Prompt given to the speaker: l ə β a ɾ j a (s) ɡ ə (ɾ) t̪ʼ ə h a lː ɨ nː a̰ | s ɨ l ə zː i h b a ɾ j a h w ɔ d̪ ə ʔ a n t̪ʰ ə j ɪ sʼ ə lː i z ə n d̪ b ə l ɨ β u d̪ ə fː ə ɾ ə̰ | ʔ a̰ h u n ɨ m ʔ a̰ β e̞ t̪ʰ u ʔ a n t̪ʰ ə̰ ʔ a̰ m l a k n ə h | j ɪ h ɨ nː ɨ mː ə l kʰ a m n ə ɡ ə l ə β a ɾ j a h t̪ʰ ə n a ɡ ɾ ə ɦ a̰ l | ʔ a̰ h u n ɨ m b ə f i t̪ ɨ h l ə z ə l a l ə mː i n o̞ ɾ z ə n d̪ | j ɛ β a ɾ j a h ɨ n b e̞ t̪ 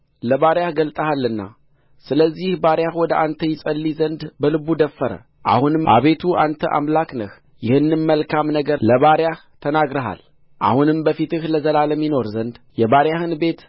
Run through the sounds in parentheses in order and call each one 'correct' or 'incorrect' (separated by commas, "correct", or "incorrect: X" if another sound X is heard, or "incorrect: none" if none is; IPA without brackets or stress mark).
incorrect: h, incorrect: l